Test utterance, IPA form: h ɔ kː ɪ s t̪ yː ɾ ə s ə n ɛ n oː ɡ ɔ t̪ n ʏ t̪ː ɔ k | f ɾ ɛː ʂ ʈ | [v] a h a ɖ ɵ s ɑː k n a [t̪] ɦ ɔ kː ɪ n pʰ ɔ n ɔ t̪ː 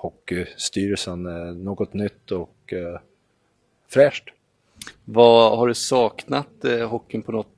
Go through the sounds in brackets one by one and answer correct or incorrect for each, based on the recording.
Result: correct, correct

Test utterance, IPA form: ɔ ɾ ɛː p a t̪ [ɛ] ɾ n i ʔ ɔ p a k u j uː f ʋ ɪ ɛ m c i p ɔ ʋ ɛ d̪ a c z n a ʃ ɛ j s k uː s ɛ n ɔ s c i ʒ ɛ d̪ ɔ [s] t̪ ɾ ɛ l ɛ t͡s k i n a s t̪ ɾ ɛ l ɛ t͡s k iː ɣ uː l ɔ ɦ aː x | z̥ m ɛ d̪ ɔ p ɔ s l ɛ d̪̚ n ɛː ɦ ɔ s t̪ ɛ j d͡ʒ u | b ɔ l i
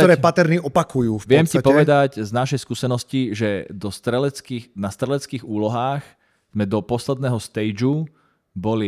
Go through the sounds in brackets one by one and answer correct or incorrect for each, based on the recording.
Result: correct, correct

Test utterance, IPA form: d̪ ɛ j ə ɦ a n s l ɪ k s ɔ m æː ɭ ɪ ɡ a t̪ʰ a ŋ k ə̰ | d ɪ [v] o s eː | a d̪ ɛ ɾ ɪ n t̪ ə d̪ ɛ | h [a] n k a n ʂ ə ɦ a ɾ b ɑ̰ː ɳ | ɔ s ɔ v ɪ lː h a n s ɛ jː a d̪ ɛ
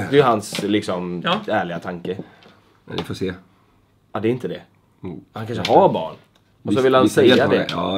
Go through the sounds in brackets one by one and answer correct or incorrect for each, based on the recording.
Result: incorrect, correct

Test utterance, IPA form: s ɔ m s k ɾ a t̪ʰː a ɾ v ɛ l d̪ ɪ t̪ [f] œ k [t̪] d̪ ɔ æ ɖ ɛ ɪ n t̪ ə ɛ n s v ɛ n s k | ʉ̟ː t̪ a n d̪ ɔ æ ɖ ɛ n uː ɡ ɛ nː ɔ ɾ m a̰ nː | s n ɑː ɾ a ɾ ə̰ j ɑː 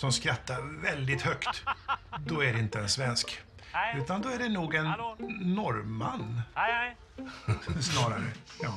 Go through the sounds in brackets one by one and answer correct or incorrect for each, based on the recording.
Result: incorrect, correct

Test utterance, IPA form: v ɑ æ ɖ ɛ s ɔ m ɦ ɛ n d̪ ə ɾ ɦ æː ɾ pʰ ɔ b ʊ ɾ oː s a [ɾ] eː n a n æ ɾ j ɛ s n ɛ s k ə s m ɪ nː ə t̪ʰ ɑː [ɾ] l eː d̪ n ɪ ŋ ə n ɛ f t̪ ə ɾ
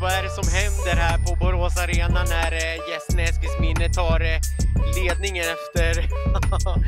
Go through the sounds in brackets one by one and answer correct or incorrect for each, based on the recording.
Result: correct, correct

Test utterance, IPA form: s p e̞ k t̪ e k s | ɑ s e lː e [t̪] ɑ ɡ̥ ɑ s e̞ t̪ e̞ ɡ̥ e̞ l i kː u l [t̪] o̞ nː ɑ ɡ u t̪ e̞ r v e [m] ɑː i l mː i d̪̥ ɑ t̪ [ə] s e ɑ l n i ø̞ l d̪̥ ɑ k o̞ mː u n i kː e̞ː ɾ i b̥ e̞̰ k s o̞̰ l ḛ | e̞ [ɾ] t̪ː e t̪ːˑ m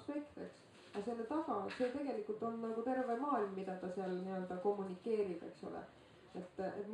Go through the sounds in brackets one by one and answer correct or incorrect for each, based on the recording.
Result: correct, correct, correct, incorrect, incorrect

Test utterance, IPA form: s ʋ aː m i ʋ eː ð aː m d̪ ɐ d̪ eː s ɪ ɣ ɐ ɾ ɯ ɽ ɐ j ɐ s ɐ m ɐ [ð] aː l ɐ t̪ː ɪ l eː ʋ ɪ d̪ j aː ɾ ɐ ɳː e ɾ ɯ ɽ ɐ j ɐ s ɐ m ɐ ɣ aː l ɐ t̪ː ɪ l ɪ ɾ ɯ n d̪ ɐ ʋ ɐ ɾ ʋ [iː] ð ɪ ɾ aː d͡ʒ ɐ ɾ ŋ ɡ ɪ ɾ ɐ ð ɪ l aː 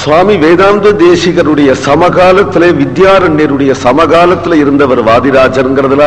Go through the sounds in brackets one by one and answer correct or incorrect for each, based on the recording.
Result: incorrect, incorrect

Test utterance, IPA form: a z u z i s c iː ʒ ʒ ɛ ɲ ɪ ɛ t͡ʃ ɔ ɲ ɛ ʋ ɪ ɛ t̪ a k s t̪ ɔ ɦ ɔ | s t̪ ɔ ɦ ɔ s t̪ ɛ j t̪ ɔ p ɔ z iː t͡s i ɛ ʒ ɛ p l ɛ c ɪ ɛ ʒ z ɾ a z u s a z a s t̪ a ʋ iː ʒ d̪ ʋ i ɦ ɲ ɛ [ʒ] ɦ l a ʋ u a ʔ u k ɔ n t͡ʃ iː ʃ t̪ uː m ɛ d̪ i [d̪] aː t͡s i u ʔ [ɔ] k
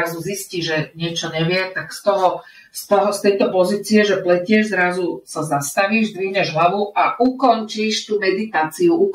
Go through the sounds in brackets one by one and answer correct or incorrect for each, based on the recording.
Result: correct, incorrect, incorrect

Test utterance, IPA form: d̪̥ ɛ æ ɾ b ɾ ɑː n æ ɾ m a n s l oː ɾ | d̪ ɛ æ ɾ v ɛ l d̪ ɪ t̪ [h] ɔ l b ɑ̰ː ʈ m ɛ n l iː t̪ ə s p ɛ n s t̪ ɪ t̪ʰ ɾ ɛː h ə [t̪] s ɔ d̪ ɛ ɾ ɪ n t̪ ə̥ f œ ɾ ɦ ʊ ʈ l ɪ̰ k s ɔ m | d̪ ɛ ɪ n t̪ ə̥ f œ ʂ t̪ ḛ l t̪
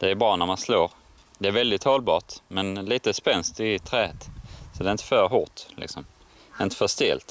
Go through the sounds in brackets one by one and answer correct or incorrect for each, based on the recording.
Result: correct, correct

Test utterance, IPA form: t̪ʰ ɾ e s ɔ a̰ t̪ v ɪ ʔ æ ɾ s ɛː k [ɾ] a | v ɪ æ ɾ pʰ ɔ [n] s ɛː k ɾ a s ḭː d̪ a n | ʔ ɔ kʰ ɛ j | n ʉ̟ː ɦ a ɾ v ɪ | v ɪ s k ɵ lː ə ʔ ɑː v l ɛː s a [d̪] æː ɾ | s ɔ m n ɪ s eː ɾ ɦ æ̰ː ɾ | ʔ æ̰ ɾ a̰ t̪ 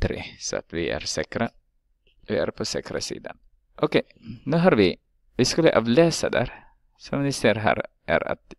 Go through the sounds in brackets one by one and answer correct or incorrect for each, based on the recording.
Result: correct, incorrect, correct

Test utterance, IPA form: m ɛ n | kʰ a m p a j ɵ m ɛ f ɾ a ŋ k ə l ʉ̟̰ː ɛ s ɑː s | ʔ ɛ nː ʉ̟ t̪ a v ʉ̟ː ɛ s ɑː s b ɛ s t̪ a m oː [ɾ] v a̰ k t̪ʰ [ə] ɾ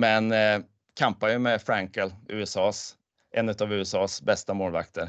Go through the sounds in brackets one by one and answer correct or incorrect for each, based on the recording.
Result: incorrect, correct

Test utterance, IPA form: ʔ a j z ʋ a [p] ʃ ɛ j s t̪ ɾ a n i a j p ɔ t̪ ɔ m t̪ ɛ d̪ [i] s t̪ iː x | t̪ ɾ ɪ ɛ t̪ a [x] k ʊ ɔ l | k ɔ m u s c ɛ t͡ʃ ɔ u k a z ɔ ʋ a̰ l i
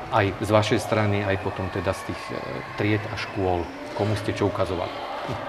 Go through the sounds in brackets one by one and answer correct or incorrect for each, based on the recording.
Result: incorrect, incorrect, incorrect

